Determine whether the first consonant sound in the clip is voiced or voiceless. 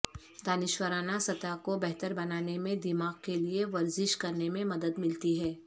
voiced